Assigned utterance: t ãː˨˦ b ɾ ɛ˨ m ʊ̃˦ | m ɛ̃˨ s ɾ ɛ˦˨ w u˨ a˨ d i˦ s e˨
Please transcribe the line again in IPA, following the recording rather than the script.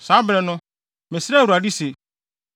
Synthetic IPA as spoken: s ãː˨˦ b ɾ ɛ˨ n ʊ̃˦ | m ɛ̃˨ s ɾ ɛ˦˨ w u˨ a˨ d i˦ s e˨